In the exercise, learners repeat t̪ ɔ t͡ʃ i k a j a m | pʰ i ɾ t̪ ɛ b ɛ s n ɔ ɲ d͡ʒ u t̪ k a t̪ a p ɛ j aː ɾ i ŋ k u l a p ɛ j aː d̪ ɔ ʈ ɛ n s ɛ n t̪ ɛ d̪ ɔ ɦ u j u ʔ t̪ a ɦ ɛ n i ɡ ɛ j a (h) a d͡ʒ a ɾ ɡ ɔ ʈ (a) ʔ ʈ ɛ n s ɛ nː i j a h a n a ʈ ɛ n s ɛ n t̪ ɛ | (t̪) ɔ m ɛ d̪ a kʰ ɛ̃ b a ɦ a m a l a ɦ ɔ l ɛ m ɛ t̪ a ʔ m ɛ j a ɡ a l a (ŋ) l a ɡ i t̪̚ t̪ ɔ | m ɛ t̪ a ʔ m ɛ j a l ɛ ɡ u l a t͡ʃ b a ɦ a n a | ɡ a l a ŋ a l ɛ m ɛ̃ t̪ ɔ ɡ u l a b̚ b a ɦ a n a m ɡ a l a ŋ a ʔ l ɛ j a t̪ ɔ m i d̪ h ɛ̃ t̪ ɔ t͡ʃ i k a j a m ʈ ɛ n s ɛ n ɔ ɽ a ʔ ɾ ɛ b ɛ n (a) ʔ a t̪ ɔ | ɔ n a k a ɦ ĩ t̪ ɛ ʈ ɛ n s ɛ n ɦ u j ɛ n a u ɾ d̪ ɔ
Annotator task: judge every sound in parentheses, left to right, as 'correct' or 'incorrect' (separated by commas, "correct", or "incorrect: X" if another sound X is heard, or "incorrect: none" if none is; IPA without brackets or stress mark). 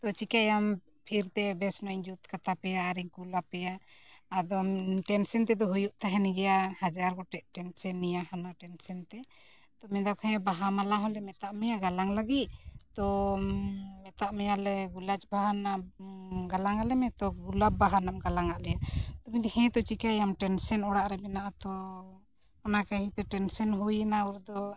correct, incorrect: ɛ, correct, correct, correct